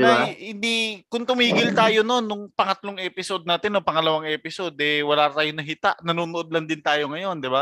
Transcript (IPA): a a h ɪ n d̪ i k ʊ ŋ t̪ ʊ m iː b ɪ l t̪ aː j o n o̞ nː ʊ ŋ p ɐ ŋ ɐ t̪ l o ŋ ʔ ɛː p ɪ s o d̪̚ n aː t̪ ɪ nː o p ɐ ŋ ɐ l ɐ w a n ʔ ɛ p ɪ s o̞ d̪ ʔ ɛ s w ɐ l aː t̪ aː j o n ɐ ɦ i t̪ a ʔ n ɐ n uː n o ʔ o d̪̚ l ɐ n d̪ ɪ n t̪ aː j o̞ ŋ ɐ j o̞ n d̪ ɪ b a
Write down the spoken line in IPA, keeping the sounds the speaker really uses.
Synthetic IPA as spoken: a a h ɪ n d̪ i k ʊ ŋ t̪ ʊ m iː ɡ ɪ l t̪ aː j o n o̞ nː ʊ ŋ p ɐ ŋ ɐ t̪ l o ŋ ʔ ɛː p ɪ s o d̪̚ n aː t̪ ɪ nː o p ɐ ŋ ɐ l ɐ w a ŋ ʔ ɛ p ɪ s o̞ d̪ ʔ ɛ w ɐ l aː t̪ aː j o n ɐ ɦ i t̪ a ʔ n ɐ n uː n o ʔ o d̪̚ l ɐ n d̪ ɪ n t̪ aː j o̞ ŋ ɐ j o̞ n d̪ ɪ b a